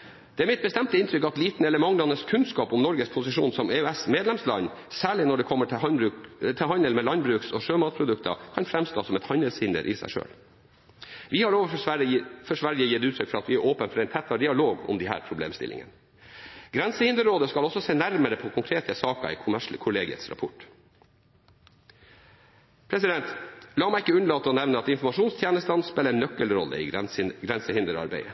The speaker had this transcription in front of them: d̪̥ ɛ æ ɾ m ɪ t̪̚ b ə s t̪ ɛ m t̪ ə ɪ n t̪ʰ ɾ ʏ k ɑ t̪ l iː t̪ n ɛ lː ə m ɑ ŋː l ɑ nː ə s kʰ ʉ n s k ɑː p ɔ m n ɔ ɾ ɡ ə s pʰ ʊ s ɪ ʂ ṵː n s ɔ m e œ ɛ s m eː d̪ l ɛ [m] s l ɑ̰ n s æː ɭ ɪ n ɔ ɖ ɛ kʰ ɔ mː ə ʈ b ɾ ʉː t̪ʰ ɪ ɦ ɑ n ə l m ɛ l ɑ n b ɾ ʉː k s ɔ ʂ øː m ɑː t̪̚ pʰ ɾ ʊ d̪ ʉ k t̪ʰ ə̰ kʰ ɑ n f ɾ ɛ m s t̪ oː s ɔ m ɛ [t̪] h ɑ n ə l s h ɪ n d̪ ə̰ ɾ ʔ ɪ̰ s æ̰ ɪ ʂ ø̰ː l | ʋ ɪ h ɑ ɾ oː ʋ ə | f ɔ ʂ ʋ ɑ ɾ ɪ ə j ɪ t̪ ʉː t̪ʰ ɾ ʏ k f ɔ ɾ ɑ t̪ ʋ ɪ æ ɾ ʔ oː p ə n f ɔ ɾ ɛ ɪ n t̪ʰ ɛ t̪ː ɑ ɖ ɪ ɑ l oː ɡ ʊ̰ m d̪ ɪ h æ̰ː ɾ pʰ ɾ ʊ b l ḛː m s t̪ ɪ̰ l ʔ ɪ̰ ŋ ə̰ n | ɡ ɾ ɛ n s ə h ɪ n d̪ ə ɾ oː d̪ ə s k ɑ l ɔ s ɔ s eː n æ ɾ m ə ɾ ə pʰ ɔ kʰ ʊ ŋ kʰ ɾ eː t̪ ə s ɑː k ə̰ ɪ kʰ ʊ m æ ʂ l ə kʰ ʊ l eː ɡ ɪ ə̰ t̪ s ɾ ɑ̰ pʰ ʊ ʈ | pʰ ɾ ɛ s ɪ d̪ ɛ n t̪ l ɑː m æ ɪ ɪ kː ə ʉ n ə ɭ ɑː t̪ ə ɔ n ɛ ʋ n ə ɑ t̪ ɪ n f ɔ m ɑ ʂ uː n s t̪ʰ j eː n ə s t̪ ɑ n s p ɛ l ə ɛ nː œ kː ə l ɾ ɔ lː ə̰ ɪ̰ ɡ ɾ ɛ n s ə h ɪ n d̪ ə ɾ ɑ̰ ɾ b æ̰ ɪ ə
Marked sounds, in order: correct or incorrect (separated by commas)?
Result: correct, correct